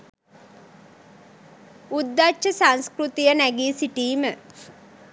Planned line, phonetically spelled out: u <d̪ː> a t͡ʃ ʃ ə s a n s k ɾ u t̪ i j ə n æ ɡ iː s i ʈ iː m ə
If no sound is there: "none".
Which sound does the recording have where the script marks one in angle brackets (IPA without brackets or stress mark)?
d̪ː